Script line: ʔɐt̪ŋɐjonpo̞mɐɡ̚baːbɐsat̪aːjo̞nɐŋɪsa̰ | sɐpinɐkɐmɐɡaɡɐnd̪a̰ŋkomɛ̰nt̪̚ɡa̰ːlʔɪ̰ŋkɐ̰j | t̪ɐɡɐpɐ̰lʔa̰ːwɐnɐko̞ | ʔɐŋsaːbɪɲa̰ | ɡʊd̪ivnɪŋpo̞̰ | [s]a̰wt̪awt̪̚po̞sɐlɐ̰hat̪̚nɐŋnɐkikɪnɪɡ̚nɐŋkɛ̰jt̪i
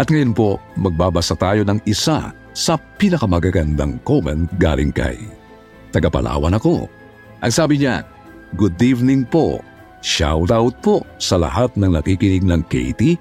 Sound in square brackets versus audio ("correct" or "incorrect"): incorrect